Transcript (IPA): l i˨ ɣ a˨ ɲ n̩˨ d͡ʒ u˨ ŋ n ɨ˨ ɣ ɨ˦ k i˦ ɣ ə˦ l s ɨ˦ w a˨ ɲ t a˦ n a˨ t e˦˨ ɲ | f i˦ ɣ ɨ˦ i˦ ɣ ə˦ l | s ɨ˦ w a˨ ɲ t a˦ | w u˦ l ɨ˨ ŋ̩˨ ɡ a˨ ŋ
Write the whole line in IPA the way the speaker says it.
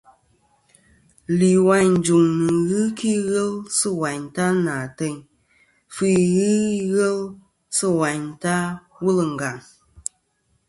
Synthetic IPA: l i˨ w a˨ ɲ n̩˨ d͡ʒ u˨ ŋ n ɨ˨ ɣ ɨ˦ k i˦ ɣ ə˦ l s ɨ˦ w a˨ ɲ t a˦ n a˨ t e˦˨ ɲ | f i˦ ɣ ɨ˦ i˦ ɣ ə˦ l | s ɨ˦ w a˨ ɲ t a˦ | w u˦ l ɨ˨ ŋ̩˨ ɡ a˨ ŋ